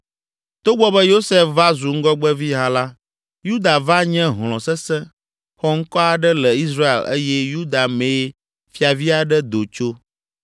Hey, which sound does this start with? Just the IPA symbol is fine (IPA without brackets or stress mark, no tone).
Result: t̪